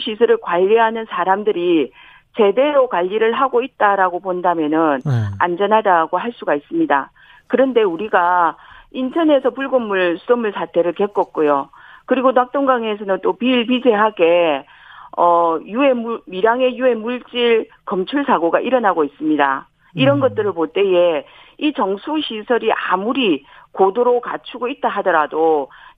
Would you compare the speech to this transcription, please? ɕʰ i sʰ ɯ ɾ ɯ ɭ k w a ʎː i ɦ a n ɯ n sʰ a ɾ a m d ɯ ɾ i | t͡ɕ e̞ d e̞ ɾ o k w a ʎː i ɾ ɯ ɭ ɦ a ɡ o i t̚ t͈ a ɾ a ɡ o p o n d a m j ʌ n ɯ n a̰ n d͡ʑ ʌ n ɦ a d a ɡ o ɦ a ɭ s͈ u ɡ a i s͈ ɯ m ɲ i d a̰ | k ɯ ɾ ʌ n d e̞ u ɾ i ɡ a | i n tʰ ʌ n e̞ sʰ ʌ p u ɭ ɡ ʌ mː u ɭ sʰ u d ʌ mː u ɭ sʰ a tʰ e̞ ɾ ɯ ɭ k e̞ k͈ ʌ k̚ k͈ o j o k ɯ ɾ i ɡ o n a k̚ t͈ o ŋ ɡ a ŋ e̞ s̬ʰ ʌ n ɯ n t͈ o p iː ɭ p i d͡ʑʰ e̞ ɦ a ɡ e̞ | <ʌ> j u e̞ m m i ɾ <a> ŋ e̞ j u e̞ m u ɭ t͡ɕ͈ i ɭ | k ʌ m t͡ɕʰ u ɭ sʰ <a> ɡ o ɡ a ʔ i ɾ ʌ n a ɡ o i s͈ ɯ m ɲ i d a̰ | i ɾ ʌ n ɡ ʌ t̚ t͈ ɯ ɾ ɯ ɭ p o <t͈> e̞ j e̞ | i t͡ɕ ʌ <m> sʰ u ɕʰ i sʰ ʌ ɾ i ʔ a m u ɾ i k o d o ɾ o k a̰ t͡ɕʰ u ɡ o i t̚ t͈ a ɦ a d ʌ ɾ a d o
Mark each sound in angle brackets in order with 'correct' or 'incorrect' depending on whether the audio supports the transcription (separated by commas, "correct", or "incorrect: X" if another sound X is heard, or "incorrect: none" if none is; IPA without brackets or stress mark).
correct, correct, correct, correct, incorrect: ŋ